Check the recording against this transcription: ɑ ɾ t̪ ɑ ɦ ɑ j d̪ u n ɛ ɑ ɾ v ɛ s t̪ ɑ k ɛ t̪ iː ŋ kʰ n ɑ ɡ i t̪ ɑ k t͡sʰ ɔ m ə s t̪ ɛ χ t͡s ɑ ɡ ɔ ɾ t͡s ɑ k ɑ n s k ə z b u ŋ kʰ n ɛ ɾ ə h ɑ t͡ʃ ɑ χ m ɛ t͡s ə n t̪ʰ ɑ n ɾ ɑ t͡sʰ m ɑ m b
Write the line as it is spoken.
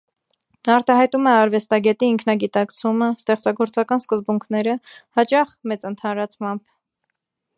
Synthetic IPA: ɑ ɾ t̪ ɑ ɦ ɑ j t̪ u m ɛ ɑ ɾ v ɛ s t̪ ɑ ɡ ɛ t̪ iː ŋ kʰ n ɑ ɡ i t̪ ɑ k t͡sʰ u m ə s t̪ ɛ χ t͡s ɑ ɡ ɔ ɾ t͡s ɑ k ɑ n s k ə z b u ŋ kʰ n ɛ ɾ ə h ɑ t͡ʃ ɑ χ m ɛ t͡s ə n t̪ʰ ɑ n ɾ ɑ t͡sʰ m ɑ m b